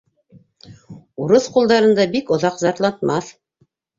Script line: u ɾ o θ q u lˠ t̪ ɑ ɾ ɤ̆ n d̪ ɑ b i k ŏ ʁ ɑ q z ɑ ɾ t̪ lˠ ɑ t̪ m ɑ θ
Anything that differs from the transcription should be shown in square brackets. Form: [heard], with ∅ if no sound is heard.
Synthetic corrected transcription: u ɾ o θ q u lˠ [d̪] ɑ ɾ ɤ̆ n d̪ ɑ b i k ŏ [ð] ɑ q z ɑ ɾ t̪ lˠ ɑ t̪ m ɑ θ